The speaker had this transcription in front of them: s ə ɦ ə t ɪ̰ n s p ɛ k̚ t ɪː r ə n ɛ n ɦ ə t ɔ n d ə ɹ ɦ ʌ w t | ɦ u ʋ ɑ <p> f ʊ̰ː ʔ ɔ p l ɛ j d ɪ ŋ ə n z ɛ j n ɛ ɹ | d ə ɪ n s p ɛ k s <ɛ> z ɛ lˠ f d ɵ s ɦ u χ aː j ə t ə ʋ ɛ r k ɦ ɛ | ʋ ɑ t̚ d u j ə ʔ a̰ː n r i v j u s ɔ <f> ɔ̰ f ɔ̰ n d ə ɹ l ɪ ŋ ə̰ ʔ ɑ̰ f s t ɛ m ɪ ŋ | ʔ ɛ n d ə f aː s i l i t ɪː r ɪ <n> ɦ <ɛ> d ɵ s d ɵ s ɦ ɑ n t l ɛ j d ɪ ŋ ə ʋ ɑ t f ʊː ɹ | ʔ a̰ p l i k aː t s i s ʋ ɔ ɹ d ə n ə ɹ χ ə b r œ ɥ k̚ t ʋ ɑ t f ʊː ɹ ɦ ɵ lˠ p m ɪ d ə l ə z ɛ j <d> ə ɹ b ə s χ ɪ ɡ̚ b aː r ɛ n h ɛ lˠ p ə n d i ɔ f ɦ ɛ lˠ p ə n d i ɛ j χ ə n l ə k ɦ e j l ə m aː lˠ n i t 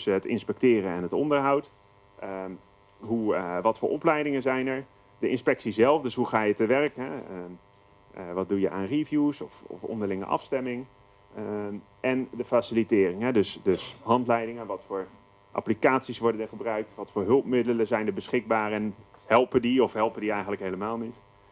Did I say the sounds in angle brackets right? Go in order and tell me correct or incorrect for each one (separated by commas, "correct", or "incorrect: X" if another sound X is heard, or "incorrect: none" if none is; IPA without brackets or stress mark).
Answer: incorrect: t, incorrect: i, correct, incorrect: ŋ, correct, incorrect: n